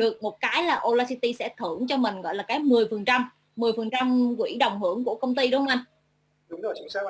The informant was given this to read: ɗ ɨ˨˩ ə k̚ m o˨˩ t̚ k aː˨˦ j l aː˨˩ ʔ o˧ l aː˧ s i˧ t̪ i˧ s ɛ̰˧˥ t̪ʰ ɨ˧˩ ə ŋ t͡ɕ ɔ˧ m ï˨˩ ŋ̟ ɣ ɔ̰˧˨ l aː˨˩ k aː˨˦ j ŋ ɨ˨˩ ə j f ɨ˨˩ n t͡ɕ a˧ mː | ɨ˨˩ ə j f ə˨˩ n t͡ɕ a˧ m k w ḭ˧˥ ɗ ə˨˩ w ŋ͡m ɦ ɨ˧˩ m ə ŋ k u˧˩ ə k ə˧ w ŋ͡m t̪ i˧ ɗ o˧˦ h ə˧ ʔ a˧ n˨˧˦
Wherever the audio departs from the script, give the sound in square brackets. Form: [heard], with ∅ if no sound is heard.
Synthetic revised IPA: ɗ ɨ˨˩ ə k̚ m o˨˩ t̚ k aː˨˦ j l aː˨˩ ʔ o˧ l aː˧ s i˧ t̪ i˧ s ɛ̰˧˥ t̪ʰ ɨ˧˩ ə ŋ t͡ɕ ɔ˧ m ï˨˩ ŋ̟ ɣ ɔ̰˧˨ l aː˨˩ k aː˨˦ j [m] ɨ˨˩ ə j f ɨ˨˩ n t͡ɕ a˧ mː | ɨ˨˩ ə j f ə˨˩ n t͡ɕ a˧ m k w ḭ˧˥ ɗ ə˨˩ w ŋ͡m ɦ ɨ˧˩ [∅] ə ŋ k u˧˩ ə k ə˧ w ŋ͡m t̪ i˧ ɗ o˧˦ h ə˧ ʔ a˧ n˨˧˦